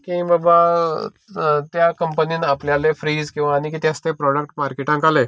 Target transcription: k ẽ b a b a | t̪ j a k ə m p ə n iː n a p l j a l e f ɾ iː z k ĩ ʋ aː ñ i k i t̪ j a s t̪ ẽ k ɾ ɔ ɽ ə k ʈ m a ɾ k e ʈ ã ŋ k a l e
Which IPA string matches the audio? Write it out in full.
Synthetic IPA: k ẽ b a b a | t̪ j a k ə m p ə n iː n a p l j a l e f ɾ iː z k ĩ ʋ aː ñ i k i t̪ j a s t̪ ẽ p ɾ ɔ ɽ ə k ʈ m a ɾ k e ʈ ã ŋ k a l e